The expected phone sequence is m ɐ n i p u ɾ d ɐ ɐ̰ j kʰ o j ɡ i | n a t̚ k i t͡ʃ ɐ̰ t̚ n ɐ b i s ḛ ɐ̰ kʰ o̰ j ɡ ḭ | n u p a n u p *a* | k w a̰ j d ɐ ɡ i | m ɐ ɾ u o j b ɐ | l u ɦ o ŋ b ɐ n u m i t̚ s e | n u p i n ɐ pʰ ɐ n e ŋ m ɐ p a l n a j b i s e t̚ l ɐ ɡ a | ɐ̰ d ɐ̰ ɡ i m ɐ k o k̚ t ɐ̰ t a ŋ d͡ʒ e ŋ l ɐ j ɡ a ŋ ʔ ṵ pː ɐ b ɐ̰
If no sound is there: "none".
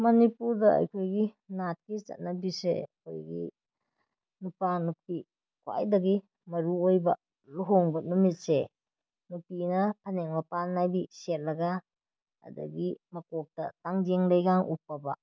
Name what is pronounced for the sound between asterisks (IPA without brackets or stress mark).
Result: i